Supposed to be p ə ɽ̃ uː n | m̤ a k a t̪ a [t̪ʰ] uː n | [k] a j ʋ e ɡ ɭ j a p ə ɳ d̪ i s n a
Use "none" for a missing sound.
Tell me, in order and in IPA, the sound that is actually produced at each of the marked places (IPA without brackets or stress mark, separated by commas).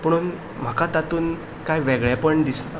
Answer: t̪, k